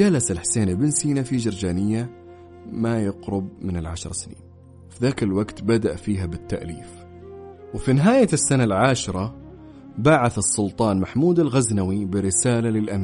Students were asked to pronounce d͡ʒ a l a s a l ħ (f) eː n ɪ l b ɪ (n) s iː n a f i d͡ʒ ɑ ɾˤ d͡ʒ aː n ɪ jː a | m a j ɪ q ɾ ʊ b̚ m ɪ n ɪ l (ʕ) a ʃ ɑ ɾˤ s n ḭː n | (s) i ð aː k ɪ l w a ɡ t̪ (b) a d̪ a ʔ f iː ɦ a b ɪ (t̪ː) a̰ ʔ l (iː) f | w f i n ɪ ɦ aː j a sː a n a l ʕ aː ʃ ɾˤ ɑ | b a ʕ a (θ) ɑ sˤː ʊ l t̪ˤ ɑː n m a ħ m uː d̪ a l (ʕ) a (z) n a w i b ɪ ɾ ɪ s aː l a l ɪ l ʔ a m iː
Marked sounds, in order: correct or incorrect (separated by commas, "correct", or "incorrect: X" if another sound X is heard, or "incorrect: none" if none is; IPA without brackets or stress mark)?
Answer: incorrect: s, correct, correct, incorrect: f, correct, correct, correct, correct, incorrect: ɣ, correct